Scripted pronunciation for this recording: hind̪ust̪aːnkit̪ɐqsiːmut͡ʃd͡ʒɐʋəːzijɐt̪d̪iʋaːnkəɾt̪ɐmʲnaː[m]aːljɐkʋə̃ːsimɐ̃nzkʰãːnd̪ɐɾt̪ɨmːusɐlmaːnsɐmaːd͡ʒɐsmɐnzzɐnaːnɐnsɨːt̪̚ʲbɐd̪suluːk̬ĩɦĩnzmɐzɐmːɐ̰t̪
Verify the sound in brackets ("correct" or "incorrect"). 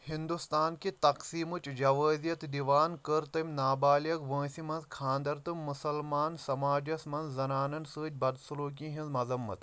incorrect